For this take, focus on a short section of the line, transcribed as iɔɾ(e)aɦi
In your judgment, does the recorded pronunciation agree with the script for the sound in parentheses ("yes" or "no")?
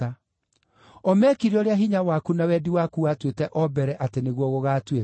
yes